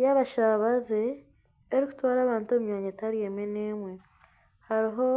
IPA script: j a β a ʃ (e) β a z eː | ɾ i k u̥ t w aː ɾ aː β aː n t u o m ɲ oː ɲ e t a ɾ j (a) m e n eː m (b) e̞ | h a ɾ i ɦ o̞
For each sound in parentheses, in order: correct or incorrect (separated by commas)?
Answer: incorrect, incorrect, incorrect